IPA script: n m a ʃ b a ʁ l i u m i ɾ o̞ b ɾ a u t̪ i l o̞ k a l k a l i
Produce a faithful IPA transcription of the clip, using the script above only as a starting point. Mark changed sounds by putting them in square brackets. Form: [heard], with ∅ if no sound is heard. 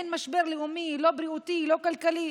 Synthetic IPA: n m a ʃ b [e] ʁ l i u m i [l] o̞ b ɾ [i] u t̪ i l o̞ k a l k a l i